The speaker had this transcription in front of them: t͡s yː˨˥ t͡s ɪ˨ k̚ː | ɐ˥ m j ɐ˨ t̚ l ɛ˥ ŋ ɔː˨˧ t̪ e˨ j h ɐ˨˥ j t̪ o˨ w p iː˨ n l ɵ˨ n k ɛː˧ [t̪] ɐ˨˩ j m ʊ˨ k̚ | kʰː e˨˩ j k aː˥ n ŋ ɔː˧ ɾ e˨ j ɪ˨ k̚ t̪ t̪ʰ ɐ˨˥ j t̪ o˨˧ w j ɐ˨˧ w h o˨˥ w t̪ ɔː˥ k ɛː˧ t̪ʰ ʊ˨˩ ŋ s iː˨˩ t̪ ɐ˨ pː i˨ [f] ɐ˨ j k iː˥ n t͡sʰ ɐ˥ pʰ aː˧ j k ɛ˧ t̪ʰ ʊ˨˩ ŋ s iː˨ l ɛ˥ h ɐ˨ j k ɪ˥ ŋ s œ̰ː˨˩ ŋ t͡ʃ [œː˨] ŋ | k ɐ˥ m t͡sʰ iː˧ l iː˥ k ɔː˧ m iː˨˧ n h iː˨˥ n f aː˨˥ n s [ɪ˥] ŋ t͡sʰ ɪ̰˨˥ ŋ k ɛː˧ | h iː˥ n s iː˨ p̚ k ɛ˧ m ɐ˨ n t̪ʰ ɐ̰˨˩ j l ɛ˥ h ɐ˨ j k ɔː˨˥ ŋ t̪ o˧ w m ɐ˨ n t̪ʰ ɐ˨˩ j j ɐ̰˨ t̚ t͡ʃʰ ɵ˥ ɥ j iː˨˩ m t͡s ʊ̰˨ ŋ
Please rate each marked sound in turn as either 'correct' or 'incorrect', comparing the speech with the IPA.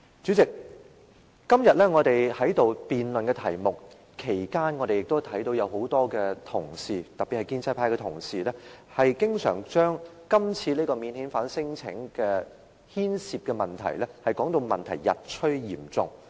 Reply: incorrect, incorrect, incorrect, correct

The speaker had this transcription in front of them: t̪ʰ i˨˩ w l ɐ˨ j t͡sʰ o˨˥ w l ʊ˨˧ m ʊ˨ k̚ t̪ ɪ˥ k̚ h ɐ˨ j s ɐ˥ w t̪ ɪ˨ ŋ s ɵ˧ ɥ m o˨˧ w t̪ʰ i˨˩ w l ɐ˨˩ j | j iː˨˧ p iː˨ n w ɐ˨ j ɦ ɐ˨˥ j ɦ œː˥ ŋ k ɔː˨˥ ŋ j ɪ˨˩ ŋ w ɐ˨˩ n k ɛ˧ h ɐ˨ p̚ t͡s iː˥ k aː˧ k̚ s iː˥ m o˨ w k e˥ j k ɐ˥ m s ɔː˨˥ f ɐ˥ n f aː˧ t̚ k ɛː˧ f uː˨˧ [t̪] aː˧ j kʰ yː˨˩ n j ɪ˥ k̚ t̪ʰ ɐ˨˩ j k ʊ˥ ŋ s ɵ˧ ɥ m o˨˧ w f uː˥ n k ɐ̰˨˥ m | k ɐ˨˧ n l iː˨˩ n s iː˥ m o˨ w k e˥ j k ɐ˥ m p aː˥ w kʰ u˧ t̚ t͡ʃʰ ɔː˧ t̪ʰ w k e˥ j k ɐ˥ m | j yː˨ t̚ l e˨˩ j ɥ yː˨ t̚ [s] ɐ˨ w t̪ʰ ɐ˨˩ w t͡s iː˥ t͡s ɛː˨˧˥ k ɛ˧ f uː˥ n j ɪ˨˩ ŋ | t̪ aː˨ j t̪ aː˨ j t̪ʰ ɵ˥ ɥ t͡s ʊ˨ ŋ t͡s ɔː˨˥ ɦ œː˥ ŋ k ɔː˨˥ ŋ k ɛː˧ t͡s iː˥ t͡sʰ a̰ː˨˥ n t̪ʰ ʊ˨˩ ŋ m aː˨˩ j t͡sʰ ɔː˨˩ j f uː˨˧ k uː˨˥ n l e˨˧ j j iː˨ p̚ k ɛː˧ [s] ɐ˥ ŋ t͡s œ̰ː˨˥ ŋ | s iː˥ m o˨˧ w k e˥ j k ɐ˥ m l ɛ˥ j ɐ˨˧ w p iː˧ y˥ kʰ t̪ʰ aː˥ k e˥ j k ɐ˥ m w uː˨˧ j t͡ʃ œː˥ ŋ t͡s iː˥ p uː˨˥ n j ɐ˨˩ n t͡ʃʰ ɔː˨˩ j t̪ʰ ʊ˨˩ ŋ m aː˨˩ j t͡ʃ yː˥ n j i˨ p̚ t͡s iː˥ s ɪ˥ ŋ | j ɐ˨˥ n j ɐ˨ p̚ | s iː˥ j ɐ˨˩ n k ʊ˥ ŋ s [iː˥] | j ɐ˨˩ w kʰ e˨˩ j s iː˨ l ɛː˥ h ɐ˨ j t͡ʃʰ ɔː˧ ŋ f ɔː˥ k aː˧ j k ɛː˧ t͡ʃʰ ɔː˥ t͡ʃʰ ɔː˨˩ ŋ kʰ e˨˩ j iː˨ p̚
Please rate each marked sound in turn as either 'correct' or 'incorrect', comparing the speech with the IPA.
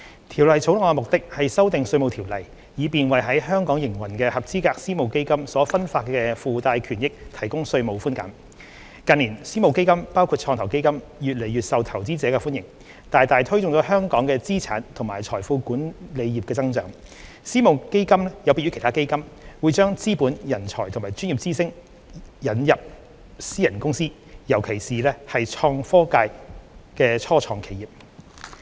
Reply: correct, correct, incorrect, correct

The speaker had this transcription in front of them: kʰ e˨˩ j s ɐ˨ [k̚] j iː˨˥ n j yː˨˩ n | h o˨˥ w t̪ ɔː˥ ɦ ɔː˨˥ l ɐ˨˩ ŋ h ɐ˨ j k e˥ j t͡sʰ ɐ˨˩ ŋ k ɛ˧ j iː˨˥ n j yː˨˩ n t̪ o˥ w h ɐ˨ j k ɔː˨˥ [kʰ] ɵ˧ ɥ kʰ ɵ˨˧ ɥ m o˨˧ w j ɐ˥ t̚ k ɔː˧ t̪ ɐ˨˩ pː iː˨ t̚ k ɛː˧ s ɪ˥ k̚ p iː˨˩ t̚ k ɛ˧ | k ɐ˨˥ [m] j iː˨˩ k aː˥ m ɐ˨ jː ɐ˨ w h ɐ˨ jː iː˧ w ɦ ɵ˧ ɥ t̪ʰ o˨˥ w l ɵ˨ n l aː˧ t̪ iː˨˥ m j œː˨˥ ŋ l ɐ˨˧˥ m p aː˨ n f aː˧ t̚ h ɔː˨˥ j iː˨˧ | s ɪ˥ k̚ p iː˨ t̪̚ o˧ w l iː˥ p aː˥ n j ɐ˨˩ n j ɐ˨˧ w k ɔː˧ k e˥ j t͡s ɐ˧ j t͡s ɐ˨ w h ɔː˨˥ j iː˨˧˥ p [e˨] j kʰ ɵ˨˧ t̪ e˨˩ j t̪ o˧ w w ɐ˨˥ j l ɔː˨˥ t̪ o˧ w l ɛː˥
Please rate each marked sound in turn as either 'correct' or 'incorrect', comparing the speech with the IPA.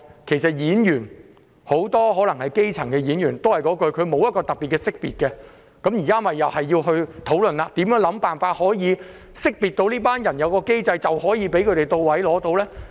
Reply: incorrect, incorrect, correct, incorrect

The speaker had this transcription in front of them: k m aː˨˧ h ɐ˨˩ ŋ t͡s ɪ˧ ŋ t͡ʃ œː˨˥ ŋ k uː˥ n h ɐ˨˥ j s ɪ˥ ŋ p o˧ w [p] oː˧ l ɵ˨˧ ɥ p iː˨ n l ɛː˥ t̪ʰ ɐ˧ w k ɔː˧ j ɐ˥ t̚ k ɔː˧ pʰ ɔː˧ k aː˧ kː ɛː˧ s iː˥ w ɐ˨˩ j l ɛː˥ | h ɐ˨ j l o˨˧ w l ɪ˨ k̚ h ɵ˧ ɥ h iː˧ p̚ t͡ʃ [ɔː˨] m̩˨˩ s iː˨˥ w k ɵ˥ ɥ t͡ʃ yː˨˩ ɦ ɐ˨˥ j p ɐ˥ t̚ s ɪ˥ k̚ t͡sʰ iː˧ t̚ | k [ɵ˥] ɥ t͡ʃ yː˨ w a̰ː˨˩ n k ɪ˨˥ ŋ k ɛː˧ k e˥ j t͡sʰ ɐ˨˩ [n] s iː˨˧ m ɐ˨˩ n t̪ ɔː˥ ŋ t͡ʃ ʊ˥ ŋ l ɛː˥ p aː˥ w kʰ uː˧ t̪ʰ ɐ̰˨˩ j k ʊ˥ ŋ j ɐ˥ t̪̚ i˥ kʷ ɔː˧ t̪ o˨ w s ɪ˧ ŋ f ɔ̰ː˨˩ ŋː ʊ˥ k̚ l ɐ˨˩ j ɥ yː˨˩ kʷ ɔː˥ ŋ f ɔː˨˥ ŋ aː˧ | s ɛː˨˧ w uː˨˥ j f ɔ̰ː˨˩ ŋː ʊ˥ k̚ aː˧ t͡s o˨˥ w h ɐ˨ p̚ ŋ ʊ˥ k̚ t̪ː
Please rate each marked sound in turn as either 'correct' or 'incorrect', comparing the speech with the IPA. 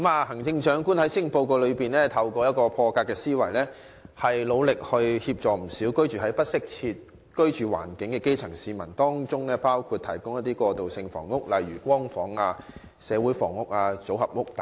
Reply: incorrect, correct, correct, incorrect

